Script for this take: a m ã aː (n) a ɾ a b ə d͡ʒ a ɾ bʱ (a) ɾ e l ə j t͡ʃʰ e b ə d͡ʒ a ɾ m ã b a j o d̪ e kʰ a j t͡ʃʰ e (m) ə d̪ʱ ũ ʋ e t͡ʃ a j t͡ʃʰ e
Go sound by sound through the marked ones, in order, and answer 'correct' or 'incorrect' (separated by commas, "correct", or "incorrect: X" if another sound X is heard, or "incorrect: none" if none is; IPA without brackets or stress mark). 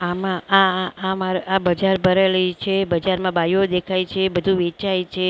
incorrect: m, incorrect: ə, incorrect: b